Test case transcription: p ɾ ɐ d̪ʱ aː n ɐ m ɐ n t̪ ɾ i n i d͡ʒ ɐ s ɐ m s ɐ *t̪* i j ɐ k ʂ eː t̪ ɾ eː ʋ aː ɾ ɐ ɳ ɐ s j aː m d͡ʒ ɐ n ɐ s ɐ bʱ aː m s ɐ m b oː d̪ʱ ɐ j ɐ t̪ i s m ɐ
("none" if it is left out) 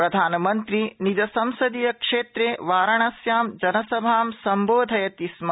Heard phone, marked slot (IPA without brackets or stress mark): d̪